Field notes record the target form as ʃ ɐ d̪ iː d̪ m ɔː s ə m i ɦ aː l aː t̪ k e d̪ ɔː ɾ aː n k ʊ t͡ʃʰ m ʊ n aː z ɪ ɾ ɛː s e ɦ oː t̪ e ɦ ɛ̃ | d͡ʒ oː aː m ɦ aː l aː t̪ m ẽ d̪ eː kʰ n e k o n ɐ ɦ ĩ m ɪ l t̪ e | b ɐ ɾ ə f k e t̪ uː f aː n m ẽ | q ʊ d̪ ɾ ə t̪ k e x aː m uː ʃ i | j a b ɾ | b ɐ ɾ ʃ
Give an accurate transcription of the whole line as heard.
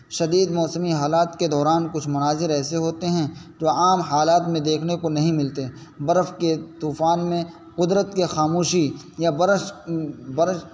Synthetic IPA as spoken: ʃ ɐ d̪ iː d̪ m ɔː s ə m i ɦ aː l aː t̪ k e d̪ ɔː ɾ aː n k ʊ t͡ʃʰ m ʊ n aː z ɪ ɾ ɛː s e ɦ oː t̪ e ɦ ɛ̃ | d͡ʒ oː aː m ɦ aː l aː t̪ m ẽ d̪ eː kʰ n e k o n ɐ ɦ ĩ m ɪ l t̪ e | b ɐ ɾ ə f k e t̪ uː f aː n m ẽ | q ʊ d̪ ɾ ə t̪ k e x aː m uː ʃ i | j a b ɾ | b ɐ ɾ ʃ